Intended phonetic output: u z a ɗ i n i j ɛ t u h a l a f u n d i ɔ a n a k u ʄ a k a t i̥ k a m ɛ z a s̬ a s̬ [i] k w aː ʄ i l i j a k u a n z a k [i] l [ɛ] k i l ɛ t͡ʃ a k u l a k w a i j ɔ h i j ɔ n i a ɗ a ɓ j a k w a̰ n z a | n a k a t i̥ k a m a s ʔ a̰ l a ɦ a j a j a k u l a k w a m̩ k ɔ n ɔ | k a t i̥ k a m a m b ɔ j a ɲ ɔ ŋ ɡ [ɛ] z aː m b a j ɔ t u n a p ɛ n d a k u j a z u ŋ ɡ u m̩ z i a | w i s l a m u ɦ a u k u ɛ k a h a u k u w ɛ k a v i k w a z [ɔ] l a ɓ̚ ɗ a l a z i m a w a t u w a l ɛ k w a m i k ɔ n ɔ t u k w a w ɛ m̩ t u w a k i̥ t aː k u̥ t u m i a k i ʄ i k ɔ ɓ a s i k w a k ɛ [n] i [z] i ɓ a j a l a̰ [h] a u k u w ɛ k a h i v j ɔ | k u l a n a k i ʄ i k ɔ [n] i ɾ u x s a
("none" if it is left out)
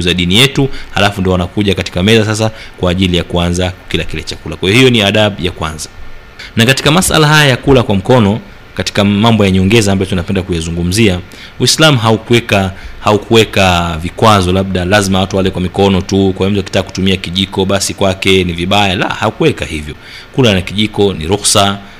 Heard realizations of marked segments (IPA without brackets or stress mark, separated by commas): a, i, a, ɛ, ɔ, n, v, h, n